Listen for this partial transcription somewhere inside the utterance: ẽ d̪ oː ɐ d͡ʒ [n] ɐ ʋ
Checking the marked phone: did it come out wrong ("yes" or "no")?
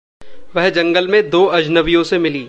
no